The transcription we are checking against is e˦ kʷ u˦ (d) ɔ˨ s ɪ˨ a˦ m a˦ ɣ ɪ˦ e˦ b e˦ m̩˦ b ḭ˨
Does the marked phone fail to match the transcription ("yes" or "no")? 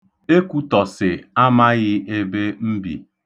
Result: yes